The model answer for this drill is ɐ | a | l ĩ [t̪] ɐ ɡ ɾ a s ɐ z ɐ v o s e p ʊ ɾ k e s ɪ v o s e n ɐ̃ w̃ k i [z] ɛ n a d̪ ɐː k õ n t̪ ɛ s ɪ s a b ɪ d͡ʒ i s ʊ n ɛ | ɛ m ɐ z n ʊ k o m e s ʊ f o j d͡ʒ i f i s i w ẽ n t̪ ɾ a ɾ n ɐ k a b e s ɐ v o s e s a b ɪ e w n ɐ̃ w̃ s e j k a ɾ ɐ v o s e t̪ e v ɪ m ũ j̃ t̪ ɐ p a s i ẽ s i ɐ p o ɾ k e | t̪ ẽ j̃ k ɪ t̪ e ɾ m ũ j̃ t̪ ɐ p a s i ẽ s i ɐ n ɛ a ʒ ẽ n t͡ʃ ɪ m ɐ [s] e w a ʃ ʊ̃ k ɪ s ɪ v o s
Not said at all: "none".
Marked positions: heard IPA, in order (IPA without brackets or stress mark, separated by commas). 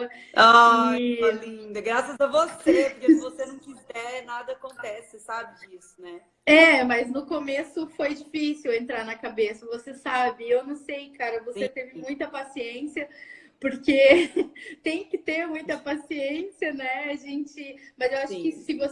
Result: d̪, z, z